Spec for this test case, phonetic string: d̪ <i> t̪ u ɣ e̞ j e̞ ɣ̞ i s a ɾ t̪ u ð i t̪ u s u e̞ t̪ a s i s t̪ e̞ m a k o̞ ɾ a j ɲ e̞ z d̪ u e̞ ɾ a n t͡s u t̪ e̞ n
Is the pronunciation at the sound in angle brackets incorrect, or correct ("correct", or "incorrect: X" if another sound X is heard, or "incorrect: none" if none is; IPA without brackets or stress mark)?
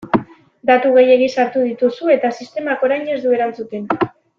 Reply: incorrect: a